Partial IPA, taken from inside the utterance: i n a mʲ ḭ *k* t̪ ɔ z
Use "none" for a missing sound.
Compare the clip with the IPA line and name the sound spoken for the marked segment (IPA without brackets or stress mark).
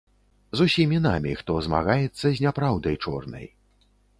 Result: x